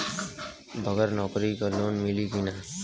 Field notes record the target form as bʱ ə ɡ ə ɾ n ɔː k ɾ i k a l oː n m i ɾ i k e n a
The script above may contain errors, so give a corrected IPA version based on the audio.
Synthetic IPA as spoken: bʱ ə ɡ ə ɾ n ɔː k ɾ i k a l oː n m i l i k i n a